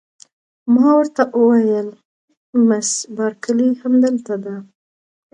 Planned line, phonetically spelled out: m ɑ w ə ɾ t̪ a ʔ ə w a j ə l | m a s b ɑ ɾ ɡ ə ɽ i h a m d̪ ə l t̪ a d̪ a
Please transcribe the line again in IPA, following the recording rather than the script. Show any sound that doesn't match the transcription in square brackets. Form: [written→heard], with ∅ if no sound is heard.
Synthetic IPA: m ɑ w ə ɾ t̪ a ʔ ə w a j ə l | m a s b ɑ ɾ [ɡ→k] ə [ɽ→l] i h a m d̪ ə l t̪ a d̪ a